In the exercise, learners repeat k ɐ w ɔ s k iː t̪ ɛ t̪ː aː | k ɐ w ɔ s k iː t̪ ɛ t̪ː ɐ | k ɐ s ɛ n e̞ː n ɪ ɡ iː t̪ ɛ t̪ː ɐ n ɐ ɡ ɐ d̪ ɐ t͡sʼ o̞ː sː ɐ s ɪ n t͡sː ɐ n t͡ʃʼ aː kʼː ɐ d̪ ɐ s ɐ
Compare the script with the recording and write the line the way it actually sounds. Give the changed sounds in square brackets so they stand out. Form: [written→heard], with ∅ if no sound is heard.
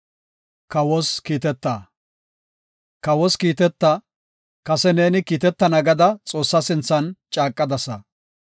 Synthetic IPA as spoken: k ɐ w ɔ s k iː t̪ ɛ t̪ː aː | k ɐ w ɔ s k iː t̪ ɛ t̪ː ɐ | k ɐ s ɛ n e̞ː n ɪ [ɡ→k] iː t̪ ɛ t̪ː ɐ n ɐ ɡ ɐ d̪ ɐ t͡sʼ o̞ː sː ɐ s ɪ n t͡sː ɐ n t͡ʃʼ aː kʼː ɐ d̪ ɐ s ɐ

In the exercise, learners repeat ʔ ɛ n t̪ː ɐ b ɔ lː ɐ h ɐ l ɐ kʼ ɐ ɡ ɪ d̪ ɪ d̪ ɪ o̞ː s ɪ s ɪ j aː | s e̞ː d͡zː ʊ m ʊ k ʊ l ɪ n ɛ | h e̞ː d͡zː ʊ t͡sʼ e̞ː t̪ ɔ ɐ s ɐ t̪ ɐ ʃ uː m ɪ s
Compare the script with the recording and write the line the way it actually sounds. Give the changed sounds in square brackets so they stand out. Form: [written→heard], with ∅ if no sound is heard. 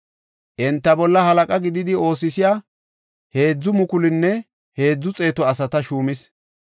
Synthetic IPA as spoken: ʔ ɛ n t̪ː ɐ b ɔ lː ɐ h ɐ l ɐ kʼ ɐ ɡ ɪ d̪ ɪ d̪ ɪ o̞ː s ɪ s ɪ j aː | [s→h] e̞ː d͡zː ʊ m ʊ k ʊ l ɪ [n→nː] ɛ | h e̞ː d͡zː ʊ t͡sʼ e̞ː t̪ ɔ ɐ s ɐ t̪ ɐ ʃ uː m ɪ s

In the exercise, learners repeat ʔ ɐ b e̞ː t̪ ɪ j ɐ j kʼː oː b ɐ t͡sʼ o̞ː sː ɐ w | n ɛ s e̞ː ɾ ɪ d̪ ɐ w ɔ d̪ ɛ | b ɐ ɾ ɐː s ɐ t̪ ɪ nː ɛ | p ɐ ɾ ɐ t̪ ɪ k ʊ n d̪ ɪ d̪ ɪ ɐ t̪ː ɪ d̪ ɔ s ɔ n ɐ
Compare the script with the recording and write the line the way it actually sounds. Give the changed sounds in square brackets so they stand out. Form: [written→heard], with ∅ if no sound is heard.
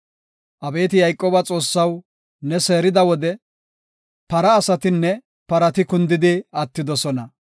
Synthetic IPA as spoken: ʔ ɐ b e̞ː t̪ ɪ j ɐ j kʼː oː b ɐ t͡sʼ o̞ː sː ɐ w | n ɛ s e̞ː ɾ ɪ d̪ ɐ w ɔ d̪ ɛ | [b→p] ɐ ɾ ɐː s ɐ t̪ ɪ nː ɛ | p ɐ ɾ ɐ t̪ ɪ k ʊ n d̪ ɪ d̪ ɪ ɐ t̪ː ɪ d̪ ɔ s ɔ n ɐ

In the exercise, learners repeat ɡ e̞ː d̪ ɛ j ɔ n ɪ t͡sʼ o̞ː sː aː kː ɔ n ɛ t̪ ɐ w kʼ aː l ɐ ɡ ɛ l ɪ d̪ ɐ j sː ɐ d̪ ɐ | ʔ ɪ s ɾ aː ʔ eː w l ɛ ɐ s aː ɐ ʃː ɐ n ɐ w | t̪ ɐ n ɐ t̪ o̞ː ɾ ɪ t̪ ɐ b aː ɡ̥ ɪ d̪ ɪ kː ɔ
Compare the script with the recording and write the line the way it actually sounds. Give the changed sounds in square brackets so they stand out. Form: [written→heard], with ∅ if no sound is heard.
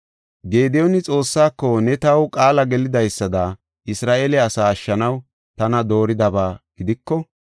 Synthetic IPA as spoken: ɡ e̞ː d̪ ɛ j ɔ n ɪ t͡sʼ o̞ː sː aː kː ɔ n ɛ t̪ ɐ w kʼ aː l ɐ ɡ ɛ l ɪ d̪ ɐ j sː ɐ d̪ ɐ | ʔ ɪ s ɾ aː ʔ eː [w→∅] l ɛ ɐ s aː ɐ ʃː ɐ n ɐ w | t̪ ɐ n ɐ [t̪→d̪] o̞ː ɾ ɪ [t̪→d̪] ɐ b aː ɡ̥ ɪ d̪ ɪ kː ɔ

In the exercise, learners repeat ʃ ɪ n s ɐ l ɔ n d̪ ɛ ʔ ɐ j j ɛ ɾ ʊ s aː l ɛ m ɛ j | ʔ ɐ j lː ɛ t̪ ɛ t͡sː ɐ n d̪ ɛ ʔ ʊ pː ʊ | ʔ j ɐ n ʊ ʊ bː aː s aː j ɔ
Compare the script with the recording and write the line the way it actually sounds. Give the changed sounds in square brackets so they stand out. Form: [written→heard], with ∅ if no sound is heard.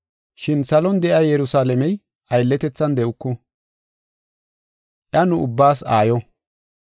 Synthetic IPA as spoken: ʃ ɪ n s ɐ l ɔ n d̪ ɛ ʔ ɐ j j ɛ ɾ ʊ s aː l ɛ m ɛ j | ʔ ɐ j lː ɛ t̪ ɛ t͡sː ɐ n d̪ ɛ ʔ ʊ [pː→kː] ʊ | ʔ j ɐ n ʊ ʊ bː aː s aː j ɔ

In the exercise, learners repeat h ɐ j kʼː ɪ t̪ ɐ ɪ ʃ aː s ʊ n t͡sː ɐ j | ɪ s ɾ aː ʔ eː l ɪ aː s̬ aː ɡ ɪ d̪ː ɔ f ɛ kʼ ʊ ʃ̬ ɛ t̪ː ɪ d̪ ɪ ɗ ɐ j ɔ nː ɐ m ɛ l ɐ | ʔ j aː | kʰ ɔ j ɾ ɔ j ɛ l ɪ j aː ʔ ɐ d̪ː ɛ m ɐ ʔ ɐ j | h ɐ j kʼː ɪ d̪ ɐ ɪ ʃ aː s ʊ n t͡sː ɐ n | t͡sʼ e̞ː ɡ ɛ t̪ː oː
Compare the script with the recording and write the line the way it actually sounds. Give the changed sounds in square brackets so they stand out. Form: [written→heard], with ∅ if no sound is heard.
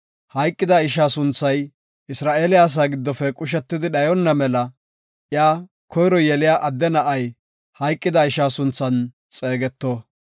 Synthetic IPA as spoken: h ɐ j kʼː ɪ [t̪→d̪] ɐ ɪ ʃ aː s ʊ n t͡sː ɐ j | ɪ s ɾ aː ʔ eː l ɪ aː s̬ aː ɡ ɪ d̪ː ɔ f ɛ kʼ ʊ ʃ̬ ɛ t̪ː ɪ d̪ ɪ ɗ ɐ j ɔ nː ɐ m ɛ l ɐ | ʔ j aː | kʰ ɔ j ɾ ɔ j ɛ l ɪ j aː ʔ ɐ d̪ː ɛ [m→n] ɐ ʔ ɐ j | h ɐ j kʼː ɪ d̪ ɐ ɪ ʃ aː s ʊ n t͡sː ɐ n | t͡sʼ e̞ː ɡ ɛ t̪ː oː

